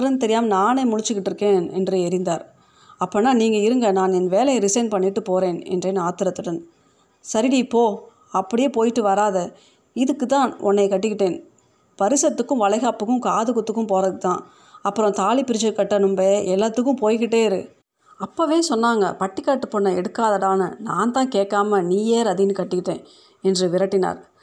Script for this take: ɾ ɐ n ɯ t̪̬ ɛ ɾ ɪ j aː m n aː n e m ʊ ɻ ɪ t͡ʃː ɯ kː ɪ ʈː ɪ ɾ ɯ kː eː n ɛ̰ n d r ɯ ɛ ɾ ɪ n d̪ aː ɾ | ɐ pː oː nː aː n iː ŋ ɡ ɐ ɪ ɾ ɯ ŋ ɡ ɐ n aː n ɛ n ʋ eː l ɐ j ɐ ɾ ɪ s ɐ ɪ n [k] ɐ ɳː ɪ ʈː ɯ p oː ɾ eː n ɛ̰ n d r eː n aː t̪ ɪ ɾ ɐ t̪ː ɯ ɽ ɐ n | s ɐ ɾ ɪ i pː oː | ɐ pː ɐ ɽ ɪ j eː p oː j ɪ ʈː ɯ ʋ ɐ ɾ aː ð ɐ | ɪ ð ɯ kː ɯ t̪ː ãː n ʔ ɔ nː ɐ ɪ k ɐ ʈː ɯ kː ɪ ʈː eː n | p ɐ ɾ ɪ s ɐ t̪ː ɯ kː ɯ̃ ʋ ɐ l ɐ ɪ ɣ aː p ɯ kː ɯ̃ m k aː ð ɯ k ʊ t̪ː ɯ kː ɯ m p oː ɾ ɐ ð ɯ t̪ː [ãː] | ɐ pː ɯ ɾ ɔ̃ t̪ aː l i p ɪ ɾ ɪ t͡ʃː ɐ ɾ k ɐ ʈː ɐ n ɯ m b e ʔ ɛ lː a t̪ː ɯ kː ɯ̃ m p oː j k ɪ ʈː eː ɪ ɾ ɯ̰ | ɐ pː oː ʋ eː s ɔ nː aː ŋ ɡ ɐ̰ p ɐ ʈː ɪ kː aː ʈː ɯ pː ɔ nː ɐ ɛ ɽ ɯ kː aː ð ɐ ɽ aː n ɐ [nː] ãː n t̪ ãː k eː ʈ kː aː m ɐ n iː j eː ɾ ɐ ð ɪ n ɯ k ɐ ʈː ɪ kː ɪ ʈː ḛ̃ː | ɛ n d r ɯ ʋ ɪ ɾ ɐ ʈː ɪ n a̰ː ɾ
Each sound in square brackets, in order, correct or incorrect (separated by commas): incorrect, correct, incorrect